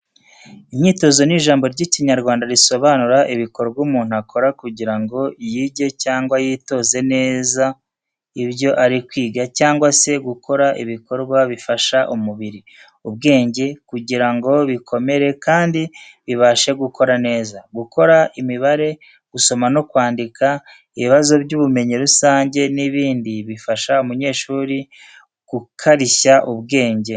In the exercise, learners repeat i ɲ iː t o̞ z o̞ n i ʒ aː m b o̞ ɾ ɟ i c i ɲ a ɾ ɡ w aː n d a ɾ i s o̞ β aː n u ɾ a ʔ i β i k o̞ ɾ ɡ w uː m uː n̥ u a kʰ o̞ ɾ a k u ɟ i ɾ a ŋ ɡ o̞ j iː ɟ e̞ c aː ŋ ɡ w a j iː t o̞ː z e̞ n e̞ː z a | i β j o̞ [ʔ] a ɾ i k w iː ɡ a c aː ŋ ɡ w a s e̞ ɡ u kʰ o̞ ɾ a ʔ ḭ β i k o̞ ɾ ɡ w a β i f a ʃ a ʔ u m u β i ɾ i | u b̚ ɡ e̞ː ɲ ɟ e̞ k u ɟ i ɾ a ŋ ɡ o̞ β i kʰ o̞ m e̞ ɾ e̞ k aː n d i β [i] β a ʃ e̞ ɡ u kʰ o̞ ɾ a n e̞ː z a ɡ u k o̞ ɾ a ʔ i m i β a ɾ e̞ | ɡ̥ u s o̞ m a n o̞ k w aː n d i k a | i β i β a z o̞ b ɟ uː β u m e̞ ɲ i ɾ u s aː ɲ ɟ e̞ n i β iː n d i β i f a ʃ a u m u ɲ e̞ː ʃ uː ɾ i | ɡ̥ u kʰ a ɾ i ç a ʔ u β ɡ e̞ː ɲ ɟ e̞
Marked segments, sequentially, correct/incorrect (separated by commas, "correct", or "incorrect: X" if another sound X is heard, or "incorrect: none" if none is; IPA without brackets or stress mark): correct, correct